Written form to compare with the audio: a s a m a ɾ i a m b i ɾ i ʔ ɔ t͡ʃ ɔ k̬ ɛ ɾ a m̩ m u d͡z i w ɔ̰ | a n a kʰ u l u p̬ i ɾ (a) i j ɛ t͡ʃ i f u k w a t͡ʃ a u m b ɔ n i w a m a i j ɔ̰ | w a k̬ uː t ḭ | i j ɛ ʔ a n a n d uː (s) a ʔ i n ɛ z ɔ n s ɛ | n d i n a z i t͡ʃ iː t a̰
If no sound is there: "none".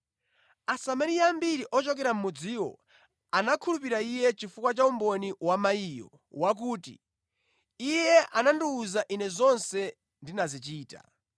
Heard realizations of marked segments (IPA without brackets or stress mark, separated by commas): a, z